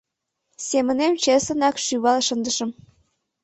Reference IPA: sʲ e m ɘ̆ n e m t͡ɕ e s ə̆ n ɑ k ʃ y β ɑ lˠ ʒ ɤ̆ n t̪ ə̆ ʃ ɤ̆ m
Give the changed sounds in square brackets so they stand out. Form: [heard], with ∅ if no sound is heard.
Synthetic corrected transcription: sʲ e m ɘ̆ n e m t͡ɕ e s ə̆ n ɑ k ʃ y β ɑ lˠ [ʃ] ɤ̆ n [d̪] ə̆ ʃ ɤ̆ m